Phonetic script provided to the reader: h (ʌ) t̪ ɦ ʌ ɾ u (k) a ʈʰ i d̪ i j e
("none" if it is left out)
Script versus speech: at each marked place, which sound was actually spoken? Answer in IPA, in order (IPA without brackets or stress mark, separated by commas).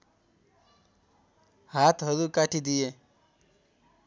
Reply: a, k